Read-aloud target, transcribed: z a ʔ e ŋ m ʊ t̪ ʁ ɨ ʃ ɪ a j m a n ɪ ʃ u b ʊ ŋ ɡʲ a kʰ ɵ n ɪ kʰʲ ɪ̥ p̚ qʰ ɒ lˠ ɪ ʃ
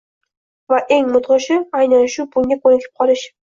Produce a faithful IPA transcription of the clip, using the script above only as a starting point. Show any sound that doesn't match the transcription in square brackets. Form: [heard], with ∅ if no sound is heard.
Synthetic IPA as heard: [v] a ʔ e ŋ m ʊ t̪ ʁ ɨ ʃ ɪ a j [n] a n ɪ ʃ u b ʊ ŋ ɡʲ a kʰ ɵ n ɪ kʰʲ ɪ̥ p̚ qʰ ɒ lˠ ɪ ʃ